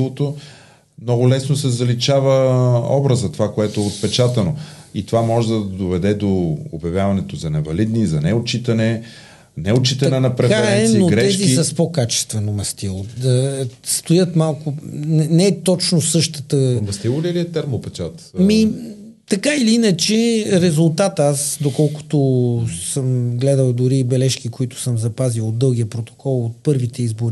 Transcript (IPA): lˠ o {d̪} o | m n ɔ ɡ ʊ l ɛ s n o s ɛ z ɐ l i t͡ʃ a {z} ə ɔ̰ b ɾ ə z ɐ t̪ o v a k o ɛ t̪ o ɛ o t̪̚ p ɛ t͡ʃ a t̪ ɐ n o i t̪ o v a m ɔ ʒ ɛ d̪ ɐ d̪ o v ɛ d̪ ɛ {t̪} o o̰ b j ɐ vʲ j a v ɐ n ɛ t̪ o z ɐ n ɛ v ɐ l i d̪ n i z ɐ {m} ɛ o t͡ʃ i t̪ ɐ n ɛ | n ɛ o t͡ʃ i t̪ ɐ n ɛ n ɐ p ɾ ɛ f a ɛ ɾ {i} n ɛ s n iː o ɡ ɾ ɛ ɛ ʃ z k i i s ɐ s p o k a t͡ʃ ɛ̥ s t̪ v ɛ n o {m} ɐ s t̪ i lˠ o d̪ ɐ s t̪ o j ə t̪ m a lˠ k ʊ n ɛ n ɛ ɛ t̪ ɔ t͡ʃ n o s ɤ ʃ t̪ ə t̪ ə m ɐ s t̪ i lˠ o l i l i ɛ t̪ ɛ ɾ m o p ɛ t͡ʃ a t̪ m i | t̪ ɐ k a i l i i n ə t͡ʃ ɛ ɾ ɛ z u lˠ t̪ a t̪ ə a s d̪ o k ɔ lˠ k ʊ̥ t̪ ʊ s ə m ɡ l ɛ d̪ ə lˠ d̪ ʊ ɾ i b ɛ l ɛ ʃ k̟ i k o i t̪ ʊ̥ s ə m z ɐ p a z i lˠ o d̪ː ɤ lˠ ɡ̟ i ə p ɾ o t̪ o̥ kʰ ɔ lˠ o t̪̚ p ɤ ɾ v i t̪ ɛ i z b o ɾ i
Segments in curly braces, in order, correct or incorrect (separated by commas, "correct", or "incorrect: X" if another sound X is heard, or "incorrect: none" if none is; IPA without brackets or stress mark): incorrect: t̪, incorrect: v, incorrect: d̪, incorrect: n, incorrect: ɛ, correct